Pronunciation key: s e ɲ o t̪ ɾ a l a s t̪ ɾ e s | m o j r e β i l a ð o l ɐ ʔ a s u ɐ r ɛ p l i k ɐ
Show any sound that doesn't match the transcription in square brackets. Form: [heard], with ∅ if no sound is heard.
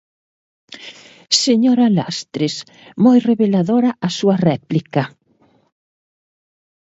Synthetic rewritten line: s e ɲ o [∅] ɾ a l a s t̪ ɾ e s | m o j r e β [e] l a ð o [ɾ] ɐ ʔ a s u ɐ r ɛ p l i k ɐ

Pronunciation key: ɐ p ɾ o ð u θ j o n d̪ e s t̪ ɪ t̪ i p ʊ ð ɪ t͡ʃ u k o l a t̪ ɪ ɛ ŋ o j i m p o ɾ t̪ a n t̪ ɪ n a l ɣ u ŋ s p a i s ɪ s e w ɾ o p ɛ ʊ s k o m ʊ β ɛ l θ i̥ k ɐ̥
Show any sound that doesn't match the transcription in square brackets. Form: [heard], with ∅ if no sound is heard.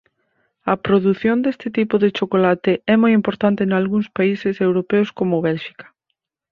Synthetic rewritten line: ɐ p ɾ o ð u θ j o n d̪ e s t̪ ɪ t̪ i p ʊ ð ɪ t͡ʃ [o] k o l a t̪ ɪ ɛ [m] o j i m p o ɾ t̪ a n t̪ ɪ n a l ɣ u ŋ s p a i s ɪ s e w ɾ o p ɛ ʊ s k o m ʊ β ɛ l [ʃ] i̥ k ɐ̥

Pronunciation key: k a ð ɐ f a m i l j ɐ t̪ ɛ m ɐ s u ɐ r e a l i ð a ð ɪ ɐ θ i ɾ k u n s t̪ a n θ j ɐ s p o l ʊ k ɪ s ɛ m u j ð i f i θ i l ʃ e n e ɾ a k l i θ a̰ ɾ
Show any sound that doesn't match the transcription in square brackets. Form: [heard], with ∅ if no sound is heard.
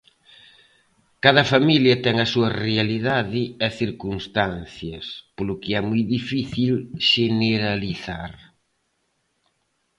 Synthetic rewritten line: k a ð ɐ f a m i l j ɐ t̪ ɛ [ŋ] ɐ s u ɐ r e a l i ð a ð ɪ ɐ θ i ɾ k u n s t̪ a n θ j ɐ s p o l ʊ k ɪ [∅] ɛ m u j ð i f i θ i l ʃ e n e ɾ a [∅] l i θ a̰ ɾ

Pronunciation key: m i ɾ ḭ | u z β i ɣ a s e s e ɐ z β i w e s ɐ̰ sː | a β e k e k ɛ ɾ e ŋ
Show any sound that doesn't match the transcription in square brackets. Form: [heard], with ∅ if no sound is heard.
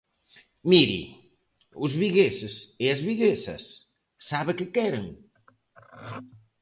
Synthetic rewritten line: m i ɾ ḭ | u z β i ɣ [e] s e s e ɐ z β i [ɣ] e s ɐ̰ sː | a β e k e k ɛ ɾ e ŋ

